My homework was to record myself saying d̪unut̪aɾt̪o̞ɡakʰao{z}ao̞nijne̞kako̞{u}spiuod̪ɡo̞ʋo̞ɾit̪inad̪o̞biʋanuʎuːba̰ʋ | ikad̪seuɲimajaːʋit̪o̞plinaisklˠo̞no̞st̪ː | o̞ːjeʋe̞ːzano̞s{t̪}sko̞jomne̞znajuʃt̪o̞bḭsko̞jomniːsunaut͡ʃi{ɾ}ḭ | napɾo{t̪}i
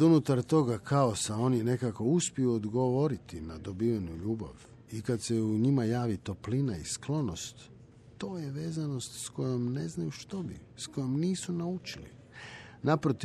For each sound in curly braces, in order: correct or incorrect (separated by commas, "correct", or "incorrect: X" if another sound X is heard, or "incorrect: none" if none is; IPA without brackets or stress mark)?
incorrect: s, correct, correct, incorrect: l, correct